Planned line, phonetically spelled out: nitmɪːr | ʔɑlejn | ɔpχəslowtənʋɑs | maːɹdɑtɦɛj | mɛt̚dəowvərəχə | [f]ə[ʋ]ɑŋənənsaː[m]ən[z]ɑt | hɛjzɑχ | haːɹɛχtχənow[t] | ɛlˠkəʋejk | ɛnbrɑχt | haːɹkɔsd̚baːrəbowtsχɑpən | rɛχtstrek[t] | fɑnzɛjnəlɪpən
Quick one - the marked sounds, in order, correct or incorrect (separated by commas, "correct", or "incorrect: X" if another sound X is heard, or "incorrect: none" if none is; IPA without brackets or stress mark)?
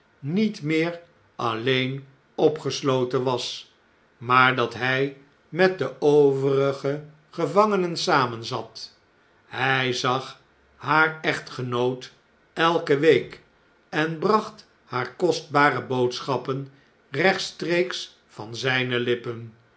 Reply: incorrect: χ, incorrect: v, correct, correct, correct, incorrect: s